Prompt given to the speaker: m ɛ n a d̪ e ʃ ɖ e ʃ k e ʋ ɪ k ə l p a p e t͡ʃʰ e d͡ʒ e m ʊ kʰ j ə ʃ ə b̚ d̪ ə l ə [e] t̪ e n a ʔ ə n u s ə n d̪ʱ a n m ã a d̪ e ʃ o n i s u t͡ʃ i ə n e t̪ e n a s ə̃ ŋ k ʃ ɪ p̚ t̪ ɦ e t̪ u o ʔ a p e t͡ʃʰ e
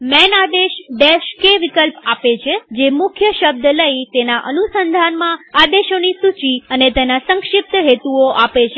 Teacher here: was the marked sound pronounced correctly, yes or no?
no